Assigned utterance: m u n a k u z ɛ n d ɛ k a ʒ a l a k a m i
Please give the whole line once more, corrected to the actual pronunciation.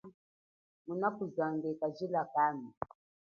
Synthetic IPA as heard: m u n a k u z a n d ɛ k a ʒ i l a k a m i